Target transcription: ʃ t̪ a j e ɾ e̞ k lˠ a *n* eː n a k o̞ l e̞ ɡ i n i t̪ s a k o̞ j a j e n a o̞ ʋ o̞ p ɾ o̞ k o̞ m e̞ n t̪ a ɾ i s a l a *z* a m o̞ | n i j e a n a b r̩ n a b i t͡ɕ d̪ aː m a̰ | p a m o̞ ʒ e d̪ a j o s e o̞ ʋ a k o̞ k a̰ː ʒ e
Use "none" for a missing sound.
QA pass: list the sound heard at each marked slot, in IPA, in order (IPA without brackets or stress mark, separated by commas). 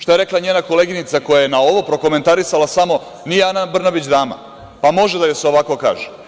ɲ, s